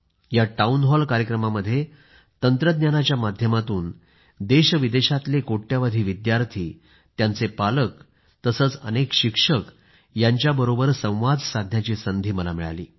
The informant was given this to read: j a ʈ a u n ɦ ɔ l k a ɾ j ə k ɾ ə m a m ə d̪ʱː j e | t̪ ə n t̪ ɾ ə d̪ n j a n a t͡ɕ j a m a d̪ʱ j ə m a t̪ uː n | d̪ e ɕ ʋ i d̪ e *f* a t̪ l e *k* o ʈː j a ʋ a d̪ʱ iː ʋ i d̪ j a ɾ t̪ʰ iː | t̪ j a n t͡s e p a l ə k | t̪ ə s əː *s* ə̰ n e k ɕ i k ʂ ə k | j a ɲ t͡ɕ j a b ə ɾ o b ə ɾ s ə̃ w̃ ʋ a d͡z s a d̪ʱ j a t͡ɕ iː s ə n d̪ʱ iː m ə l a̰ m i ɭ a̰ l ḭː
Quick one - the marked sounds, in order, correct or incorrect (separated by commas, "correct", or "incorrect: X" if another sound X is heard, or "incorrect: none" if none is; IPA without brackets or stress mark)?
incorrect: ɕ, correct, incorrect: t͡s